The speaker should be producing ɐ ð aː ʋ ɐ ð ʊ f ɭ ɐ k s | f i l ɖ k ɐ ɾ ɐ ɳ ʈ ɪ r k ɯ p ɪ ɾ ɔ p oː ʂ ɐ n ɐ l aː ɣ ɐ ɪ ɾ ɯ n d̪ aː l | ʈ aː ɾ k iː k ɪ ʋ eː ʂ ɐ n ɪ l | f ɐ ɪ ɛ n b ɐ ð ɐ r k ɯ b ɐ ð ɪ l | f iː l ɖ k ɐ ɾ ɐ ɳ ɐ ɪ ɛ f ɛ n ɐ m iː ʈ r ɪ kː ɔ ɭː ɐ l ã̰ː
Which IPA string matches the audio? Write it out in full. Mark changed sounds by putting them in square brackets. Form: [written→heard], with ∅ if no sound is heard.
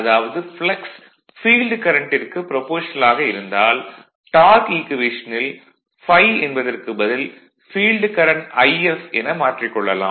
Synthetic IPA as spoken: ɐ ð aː ʋ ɐ ð [ʊ→ɯ] f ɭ ɐ k s | f [i→iː] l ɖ k ɐ ɾ ɐ ɳ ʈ ɪ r k ɯ p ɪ ɾ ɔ p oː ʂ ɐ n ɐ l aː ɣ ɐ ɪ ɾ ɯ n d̪ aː l | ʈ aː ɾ k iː k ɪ ʋ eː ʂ ɐ n ɪ l | f ɐ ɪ ɛ n b ɐ ð ɐ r k ɯ b ɐ ð ɪ l | f iː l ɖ k ɐ ɾ ɐ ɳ ɐ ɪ ɛ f ɛ n ɐ m [iː→aː] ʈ r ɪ kː ɔ ɭː ɐ l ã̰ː

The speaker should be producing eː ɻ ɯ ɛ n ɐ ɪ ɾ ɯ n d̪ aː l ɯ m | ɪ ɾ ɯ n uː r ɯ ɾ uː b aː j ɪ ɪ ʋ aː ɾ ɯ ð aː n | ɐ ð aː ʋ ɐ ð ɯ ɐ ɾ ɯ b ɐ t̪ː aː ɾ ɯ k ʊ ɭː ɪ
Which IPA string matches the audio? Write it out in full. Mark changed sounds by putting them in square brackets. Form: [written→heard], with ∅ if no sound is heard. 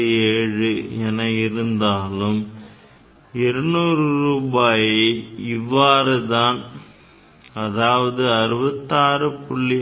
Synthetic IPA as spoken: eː ɻ ɯ ɛ n ɐ ɪ ɾ ɯ n d̪ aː l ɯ m | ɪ ɾ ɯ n uː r ɯ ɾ uː b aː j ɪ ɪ [ʋ→ʋː] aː ɾ ɯ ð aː n | ɐ ð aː ʋ ɐ ð ɯ ɐ ɾ ɯ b ɐ t̪ː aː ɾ ɯ [k→p] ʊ ɭː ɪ

